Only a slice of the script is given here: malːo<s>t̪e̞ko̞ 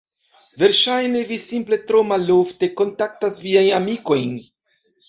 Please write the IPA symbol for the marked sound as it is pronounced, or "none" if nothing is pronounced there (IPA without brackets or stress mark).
f